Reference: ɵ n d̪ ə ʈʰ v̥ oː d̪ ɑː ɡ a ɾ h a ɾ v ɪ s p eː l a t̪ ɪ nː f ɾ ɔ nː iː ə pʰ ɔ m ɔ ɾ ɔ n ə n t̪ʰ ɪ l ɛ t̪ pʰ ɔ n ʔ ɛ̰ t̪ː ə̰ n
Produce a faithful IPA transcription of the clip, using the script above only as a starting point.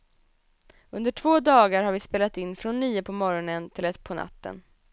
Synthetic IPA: ɵ n d̪ ə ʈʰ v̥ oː d̪ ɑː ɡ a ɾ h a ɾ v ɪ s p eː l a t̪ ɪ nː f ɾ ɔ nː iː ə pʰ ɔ m ɔ ɾ ɔ n ə n t̪ʰ ɪ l ɛ t̪ pʰ ɔ n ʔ a̰ t̪ː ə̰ n